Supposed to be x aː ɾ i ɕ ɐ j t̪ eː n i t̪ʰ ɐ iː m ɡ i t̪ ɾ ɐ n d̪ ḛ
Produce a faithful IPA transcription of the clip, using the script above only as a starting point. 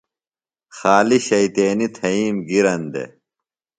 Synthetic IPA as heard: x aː l i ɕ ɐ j t̪ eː n i t̪ʰ ɐ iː m ɡ i ɾ ɐ n d̪ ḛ